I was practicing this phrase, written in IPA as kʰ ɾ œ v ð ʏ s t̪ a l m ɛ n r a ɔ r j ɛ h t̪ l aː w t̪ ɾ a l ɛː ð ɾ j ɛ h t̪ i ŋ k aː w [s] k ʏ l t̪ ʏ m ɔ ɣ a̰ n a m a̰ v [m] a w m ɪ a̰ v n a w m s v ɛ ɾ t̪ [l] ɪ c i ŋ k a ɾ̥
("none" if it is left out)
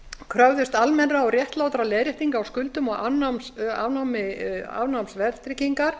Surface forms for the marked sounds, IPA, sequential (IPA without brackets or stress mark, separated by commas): s, n, ɾ